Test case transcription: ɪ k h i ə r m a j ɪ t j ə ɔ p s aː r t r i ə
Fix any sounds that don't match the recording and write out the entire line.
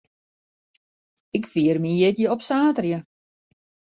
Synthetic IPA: ɪ k f i ə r m i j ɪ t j ə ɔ p s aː t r j ə